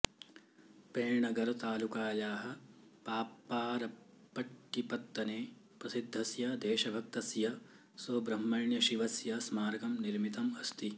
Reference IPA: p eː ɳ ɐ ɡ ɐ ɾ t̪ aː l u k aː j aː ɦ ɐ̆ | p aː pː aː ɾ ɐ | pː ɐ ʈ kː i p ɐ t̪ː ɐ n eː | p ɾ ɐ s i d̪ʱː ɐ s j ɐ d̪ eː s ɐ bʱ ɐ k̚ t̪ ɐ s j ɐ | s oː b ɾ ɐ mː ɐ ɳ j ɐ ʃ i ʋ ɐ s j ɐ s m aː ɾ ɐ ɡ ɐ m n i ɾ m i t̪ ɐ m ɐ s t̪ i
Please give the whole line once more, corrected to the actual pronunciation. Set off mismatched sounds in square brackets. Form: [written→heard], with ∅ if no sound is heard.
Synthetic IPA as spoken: p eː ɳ ɐ ɡ ɐ ɾ t̪ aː l u k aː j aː ɦ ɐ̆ | p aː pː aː ɾ ɐ | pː ɐ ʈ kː i p ɐ t̪ː ɐ n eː | p ɾ ɐ s i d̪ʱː ɐ s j ɐ d̪ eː [s→ʃ] ɐ bʱ ɐ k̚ t̪ ɐ s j ɐ | s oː b ɾ ɐ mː ɐ ɳ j ɐ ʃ i ʋ ɐ s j ɐ s m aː ɾ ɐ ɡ ɐ m n i ɾ m i t̪ ɐ m ɐ s t̪ i